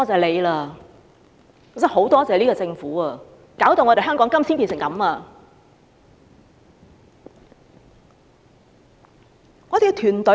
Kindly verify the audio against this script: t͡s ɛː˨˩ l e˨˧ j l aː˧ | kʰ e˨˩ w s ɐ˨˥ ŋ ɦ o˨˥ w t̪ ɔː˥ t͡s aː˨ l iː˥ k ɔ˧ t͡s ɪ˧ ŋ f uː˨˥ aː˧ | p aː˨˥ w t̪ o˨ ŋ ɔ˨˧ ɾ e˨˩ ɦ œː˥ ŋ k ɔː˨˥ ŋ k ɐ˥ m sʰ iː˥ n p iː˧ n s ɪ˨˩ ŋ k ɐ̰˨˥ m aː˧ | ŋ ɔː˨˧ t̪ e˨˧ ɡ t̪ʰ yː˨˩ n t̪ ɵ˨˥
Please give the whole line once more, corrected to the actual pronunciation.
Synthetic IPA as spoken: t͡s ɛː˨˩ l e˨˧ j l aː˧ | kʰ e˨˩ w s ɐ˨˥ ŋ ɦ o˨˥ w t̪ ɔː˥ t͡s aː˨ l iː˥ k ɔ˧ t͡s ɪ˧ ŋ f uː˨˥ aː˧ | k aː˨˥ w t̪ o˨ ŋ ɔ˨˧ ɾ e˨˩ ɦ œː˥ ŋ k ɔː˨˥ ŋ k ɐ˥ m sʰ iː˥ n p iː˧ n s ɪ˨˩ ŋ k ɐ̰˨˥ m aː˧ | ŋ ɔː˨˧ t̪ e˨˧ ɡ t̪ʰ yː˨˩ n t̪ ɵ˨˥